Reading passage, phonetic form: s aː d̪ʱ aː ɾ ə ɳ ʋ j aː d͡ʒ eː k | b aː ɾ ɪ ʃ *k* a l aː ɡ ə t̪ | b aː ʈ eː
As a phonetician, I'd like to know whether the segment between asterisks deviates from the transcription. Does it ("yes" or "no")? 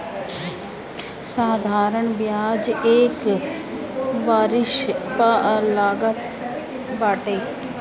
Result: yes